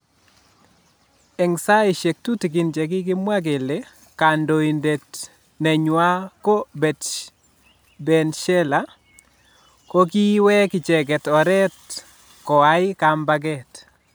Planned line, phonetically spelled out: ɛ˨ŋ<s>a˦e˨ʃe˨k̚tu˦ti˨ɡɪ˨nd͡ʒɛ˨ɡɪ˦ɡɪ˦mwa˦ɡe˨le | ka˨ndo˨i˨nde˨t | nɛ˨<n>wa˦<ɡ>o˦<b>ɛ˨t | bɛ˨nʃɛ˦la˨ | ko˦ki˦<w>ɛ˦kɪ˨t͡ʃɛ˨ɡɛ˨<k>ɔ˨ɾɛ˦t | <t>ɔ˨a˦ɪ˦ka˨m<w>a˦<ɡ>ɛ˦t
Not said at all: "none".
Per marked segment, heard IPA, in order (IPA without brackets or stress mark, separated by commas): s, ɲ, k, b, w, t, k, b, ɡ